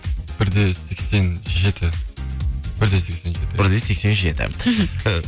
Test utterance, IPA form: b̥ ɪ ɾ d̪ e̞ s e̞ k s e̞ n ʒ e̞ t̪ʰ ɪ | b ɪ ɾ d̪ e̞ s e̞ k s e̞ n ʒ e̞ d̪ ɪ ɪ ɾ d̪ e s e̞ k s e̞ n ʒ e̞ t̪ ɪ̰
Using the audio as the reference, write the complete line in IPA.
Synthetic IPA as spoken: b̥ ɪ ɾ d̪ e̞ s e̞ k s e̞ n ʒ e̞ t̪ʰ ɪ | b ɪ ɾ d̪ e̞ s e̞ k s e̞ n ʒ e̞ t̪ ɪ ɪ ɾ d̪ e s e̞ k s e̞ n ʒ e̞ t̪ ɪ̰